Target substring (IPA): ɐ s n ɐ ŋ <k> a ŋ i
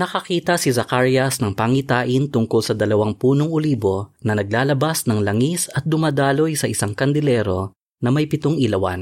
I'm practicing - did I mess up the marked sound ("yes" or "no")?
yes